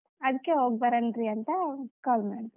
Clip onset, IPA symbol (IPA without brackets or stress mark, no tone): ɐ